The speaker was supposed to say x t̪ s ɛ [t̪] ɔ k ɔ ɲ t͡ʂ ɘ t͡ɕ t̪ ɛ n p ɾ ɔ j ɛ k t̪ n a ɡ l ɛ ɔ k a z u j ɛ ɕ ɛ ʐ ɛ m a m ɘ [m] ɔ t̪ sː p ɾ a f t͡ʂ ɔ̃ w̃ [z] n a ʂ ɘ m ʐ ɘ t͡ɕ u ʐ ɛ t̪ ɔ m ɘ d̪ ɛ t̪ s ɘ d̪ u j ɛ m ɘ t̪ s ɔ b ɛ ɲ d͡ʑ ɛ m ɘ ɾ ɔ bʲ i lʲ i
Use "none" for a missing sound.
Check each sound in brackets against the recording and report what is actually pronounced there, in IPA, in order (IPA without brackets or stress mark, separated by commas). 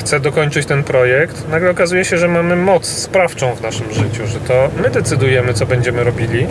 d̪, m, v